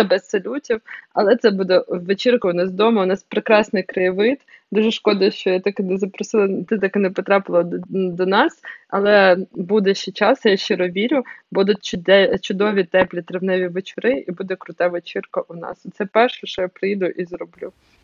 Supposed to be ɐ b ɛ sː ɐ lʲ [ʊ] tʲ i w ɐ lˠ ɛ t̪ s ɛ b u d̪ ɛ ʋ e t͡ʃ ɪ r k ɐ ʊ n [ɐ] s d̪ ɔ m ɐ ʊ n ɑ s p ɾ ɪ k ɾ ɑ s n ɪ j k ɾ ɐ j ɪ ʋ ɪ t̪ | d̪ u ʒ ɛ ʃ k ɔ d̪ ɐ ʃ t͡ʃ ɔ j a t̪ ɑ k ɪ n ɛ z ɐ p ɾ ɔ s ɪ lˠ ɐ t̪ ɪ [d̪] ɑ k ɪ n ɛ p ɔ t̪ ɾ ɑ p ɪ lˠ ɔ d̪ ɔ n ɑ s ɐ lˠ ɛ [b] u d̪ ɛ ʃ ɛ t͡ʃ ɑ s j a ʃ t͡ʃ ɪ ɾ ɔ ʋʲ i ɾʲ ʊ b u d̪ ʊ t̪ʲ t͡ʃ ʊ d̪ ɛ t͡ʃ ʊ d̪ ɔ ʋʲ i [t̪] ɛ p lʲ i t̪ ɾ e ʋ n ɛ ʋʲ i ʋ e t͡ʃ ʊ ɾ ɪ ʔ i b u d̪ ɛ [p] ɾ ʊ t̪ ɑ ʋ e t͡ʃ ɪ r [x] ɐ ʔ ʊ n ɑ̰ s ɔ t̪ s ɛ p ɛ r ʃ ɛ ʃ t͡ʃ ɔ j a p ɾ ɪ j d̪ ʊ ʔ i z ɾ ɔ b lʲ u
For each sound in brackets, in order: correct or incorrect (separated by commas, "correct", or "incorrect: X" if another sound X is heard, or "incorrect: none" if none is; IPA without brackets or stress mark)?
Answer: incorrect: u, incorrect: ɑ, incorrect: t̪, correct, correct, incorrect: k, incorrect: k